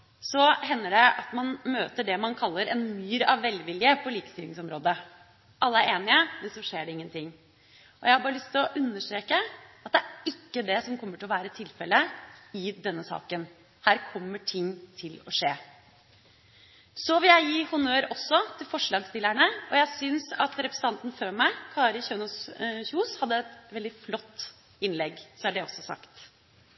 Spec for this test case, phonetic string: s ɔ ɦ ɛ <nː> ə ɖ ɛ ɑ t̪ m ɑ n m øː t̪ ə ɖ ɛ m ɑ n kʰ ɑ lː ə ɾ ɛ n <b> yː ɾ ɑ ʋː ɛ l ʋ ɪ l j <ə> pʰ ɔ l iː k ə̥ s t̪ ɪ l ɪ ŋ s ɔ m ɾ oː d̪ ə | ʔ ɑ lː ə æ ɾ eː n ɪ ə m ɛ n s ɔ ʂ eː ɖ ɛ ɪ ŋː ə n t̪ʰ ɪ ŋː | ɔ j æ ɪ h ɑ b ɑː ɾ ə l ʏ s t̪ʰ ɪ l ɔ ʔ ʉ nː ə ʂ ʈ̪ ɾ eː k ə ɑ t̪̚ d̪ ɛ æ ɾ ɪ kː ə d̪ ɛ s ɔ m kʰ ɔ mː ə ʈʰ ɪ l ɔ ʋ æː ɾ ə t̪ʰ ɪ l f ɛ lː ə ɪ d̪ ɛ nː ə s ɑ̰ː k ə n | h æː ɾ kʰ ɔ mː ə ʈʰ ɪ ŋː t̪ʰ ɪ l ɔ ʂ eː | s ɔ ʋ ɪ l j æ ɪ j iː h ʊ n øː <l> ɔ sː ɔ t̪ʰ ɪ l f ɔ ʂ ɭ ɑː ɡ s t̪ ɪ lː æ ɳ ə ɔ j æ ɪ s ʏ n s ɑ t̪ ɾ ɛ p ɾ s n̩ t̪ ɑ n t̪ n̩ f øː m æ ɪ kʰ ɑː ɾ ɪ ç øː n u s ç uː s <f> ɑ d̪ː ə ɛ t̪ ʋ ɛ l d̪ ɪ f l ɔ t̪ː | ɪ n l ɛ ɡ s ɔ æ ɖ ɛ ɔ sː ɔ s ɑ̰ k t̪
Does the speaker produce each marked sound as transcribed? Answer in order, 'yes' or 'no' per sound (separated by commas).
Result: yes, no, yes, no, no